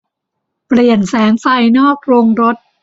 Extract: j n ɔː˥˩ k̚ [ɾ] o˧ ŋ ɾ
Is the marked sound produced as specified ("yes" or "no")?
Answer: yes